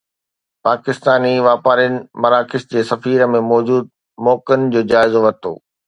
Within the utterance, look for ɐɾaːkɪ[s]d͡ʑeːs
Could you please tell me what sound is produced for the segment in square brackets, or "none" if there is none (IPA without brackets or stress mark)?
s